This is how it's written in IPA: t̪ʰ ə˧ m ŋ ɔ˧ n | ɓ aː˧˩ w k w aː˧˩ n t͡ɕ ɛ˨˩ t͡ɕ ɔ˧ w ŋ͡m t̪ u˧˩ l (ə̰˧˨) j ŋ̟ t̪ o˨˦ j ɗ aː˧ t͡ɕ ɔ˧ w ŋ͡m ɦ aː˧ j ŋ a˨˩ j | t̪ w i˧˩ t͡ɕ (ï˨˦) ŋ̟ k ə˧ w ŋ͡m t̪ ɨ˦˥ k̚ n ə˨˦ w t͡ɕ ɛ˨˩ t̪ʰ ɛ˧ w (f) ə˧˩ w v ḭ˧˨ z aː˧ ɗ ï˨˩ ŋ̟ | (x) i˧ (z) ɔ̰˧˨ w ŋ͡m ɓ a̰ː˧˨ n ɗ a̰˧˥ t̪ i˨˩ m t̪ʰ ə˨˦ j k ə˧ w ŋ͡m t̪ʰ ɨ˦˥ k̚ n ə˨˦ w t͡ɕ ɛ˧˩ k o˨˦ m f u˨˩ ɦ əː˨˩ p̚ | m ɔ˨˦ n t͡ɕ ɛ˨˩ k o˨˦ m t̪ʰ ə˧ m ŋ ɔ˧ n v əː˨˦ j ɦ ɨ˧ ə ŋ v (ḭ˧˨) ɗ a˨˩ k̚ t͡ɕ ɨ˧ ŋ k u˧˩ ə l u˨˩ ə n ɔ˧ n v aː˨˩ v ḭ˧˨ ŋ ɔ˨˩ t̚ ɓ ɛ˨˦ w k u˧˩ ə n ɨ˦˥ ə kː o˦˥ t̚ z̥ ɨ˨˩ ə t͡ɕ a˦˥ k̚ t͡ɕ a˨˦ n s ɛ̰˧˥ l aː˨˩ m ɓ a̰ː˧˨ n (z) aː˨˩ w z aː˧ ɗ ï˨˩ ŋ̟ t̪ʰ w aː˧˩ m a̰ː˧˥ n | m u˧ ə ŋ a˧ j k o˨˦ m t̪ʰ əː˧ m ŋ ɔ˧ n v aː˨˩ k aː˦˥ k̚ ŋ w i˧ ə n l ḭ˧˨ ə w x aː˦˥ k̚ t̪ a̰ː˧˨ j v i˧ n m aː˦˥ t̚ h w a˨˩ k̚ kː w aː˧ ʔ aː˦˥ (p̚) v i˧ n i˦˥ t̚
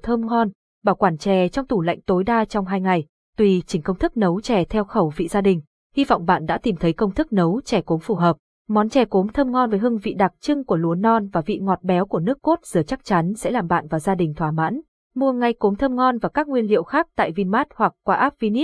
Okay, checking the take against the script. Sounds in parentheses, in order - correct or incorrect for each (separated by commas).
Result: incorrect, incorrect, incorrect, incorrect, incorrect, correct, incorrect, correct